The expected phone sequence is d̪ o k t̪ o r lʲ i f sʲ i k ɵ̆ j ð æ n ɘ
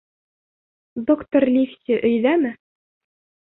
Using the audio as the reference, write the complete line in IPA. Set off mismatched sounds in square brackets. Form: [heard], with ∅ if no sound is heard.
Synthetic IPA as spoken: d̪ o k t̪ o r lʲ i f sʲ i [ʔ] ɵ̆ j ð æ [m] ɘ